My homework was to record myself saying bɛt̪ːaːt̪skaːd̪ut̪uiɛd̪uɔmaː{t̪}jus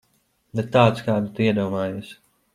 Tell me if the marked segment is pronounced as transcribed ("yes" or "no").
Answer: no